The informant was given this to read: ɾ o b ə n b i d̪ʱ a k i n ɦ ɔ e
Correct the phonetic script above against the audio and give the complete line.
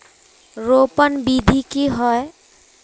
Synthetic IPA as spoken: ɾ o p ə n b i d̪ʱ i k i ɦ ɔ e